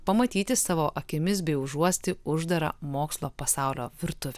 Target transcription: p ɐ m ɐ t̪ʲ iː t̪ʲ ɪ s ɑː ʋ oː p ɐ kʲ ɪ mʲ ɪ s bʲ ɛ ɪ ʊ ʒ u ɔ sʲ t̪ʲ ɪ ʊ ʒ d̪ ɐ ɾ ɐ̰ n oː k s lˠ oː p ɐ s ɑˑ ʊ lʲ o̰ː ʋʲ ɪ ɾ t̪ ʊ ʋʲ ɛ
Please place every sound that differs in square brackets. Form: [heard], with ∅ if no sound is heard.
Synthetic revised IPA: p ɐ m ɐ t̪ʲ iː t̪ʲ ɪ s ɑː ʋ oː [ʔ] ɐ kʲ ɪ mʲ ɪ s bʲ ɛ ɪ ʊ ʒ u ɔ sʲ t̪ʲ ɪ ʊ ʒ d̪ ɐ ɾ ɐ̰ [m] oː k s lˠ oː p ɐ s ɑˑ ʊ lʲ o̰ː ʋʲ ɪ ɾ t̪ ʊ ʋʲ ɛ

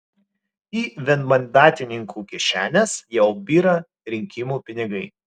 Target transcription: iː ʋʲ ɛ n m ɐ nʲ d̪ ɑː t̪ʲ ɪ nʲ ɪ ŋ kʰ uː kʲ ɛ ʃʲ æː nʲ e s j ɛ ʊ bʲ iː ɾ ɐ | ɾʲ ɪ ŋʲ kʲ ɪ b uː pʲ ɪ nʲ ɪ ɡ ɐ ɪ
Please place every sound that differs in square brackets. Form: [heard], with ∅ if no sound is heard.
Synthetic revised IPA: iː ʋʲ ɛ n m ɐ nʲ d̪ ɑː t̪ʲ ɪ nʲ ɪ ŋ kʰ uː kʲ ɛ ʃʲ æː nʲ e s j ɛ ʊ bʲ iː ɾ ɐ | ɾʲ ɪ ŋʲ kʲ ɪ [m] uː pʲ ɪ nʲ ɪ ɡ ɐ ɪ

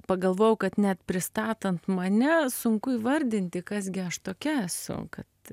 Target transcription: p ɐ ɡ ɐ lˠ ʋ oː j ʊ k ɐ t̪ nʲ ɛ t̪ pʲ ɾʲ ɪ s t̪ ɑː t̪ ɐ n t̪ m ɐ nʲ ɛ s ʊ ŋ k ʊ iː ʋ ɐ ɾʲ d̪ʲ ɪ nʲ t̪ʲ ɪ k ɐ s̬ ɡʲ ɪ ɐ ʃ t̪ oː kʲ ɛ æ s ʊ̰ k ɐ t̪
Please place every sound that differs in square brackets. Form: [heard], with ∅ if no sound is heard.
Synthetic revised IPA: p ɐ ɡ ɐ lˠ ʋ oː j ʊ k ɐ t̪ nʲ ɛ t̪ pʲ ɾʲ ɪ s t̪ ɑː t̪ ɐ n t̪ m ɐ nʲ ɛ s ʊ ŋ k ʊ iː ʋ ɐ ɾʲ d̪ʲ ɪ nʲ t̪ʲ ɪ k ɐ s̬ ɡʲ ɪ ɐ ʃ t̪ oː kʲ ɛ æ s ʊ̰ k ɐ t̪

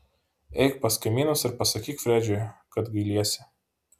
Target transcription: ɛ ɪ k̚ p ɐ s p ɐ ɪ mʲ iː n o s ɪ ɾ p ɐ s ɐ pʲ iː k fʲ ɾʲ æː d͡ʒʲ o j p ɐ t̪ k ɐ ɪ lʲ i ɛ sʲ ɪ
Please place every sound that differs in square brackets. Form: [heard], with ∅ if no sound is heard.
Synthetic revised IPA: ɛ ɪ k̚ p ɐ s [k] ɐ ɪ mʲ iː n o s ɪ ɾ p ɐ s ɐ [kʲ] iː k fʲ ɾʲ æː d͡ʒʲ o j [k] ɐ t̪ [ɡ] ɐ ɪ lʲ i ɛ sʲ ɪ

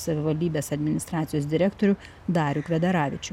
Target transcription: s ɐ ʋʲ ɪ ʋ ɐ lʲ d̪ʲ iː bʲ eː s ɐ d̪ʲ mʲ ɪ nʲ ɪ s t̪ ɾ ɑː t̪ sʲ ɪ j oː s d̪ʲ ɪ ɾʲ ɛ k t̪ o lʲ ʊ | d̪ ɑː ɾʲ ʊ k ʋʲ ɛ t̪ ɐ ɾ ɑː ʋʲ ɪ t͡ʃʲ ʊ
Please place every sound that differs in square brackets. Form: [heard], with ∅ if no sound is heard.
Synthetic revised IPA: s ɐ ʋʲ ɪ ʋ ɐ lʲ d̪ʲ iː bʲ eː s ɐ d̪ʲ mʲ ɪ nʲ ɪ s t̪ ɾ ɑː t̪ sʲ ɪ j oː s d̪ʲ ɪ ɾʲ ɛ k t̪ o [ɾʲ] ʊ | d̪ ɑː ɾʲ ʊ k ʋʲ ɛ [d̪] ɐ ɾ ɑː ʋʲ ɪ t͡ʃʲ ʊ

